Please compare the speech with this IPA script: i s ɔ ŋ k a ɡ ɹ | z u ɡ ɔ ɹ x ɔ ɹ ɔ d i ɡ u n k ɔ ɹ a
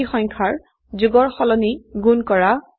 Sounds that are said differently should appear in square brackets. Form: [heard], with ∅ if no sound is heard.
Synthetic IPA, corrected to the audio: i [x] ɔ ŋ [kʰ] a [∅] ɹ | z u ɡ ɔ ɹ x ɔ [l] ɔ [n] i ɡ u n k ɔ ɹ a

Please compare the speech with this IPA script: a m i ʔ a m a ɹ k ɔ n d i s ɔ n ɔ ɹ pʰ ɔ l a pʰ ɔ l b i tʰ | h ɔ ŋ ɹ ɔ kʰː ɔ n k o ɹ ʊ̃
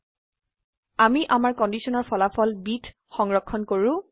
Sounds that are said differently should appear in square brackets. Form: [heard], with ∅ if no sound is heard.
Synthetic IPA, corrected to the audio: a m i ʔ a m a ɹ k ɔ n d i s ɔ n ɔ ɹ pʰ ɔ l a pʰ ɔ l b i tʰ | [x] ɔ ŋ ɹ ɔ kʰː ɔ n k o ɹ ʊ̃

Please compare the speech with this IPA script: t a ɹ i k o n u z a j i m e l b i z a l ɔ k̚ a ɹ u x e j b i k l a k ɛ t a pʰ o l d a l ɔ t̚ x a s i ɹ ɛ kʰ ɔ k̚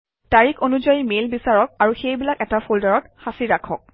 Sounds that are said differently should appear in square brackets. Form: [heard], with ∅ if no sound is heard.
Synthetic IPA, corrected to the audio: t a ɹ i k o n u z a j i m e l b i [s] a [ɹ] ɔ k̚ a ɹ u x e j b i [∅] l a k ɛ t a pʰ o l d a [ɹ] ɔ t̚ x a s i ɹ [a] kʰ ɔ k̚

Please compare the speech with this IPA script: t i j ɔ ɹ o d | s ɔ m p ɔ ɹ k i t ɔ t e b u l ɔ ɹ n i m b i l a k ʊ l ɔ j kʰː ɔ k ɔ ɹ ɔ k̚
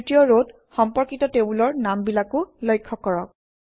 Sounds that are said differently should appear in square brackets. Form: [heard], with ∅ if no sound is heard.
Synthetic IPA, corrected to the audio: t i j ɔ ɹ o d | [x] ɔ m p ɔ ɹ k i t ɔ t e b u l ɔ ɹ n [a] m b i l a k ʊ l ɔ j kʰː ɔ k ɔ ɹ ɔ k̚

